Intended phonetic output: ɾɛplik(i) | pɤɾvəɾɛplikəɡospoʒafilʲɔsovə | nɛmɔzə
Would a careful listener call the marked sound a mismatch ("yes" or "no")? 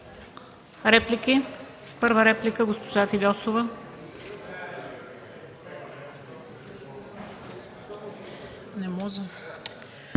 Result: no